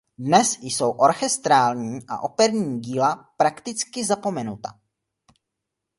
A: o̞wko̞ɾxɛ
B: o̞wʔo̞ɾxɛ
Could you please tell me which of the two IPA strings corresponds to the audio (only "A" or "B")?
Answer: B